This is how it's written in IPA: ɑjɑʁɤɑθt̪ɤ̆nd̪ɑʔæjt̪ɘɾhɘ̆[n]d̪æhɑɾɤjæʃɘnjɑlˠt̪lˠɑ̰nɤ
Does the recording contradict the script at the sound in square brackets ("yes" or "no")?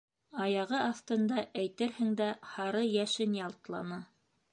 yes